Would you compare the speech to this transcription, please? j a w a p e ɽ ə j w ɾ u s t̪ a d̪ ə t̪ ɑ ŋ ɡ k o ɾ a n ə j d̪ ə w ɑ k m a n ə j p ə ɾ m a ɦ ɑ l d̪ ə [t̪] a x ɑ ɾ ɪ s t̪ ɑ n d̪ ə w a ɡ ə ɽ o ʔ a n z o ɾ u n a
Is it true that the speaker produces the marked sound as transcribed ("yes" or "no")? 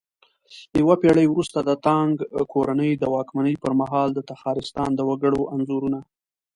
yes